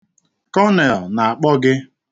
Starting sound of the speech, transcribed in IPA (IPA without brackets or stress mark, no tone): k